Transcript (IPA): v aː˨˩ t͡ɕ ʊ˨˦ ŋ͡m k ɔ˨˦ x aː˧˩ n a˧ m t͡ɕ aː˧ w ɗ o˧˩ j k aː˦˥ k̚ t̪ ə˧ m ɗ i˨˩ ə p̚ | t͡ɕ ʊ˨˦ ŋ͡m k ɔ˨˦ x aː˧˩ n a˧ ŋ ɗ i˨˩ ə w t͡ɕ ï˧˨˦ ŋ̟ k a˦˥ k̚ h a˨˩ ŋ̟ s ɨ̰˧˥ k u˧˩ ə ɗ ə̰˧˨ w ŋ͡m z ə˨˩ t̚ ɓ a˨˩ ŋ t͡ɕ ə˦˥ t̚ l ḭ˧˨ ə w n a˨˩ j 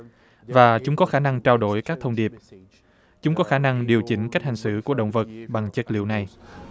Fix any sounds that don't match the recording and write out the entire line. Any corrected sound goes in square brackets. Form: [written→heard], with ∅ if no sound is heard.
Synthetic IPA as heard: v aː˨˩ t͡ɕ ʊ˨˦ ŋ͡m k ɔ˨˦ x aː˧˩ n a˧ [m→ŋ] t͡ɕ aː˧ w ɗ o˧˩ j k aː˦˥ k̚ [t̪→t̪ʰ] ə˧ [m→ŋ͡m] ɗ i˨˩ ə p̚ | t͡ɕ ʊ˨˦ ŋ͡m k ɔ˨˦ x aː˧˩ n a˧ ŋ ɗ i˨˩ ə w t͡ɕ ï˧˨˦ ŋ̟ k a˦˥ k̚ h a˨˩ ŋ̟ s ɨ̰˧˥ k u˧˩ ə ɗ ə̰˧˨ w ŋ͡m [z→v] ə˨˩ t̚ ɓ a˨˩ ŋ t͡ɕ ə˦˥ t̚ l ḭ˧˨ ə w n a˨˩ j